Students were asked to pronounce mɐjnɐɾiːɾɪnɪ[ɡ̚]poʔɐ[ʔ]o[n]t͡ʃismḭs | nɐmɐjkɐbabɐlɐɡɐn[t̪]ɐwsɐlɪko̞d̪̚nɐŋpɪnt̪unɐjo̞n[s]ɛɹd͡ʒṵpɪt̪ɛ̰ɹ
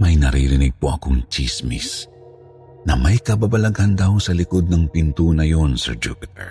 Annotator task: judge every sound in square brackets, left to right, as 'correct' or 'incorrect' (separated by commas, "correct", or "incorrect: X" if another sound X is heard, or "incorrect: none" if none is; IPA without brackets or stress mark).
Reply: correct, incorrect: k, incorrect: ŋ, incorrect: d̪, correct